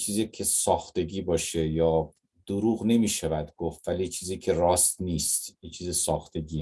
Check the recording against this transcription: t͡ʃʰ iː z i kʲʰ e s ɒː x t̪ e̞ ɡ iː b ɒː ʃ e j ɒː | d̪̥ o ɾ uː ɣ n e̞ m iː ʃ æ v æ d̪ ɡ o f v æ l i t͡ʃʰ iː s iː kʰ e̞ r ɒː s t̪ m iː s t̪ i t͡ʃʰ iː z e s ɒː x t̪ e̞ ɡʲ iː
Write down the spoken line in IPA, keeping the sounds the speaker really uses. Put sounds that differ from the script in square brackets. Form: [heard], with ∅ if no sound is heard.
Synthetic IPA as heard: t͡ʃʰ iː z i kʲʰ e s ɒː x t̪ e̞ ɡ iː b ɒː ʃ e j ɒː | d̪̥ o ɾ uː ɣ n e̞ m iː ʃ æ v æ d̪ ɡ o f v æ l i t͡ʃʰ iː [z] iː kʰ e̞ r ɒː s t̪ [n] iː s t̪ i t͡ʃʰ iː z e s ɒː x t̪ e̞ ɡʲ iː

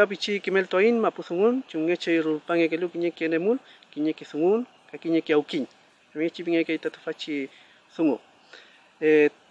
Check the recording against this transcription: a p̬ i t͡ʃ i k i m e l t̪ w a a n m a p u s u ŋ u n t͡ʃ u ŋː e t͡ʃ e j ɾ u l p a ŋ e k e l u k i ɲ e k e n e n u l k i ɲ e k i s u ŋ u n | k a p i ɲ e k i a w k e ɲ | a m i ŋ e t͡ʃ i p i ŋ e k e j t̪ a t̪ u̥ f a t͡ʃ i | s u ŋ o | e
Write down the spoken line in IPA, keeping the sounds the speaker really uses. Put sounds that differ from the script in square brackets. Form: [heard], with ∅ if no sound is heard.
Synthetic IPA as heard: a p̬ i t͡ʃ i k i m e l t̪ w a [i] n m a p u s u ŋ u n t͡ʃ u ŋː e t͡ʃ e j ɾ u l p a ŋ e k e l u k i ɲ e k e n e [m] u l k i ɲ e k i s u ŋ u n | k a [k] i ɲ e k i a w k [i] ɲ | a m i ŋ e t͡ʃ i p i ŋ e k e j t̪ a t̪ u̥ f a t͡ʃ i | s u ŋ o | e

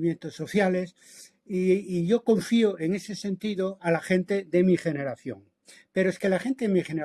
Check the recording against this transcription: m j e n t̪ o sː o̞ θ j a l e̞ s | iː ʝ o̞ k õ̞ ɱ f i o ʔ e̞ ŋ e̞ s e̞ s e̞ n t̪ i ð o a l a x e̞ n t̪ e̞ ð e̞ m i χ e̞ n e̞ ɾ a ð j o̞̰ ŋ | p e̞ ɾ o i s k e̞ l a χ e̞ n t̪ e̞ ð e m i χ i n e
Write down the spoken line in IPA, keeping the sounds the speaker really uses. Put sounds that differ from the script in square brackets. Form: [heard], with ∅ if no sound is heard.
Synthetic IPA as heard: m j e n t̪ o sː o̞ θ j a l e̞ s | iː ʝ o̞ k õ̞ ɱ f i o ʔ e̞ ŋ e̞ s e̞ s e̞ n t̪ i ð o a l a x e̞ n t̪ e̞ ð e̞ m i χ e̞ n e̞ ɾ a [θ] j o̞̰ ŋ | p e̞ ɾ o [e] s k e̞ l a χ e̞ n t̪ e̞ ð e m i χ [e] n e

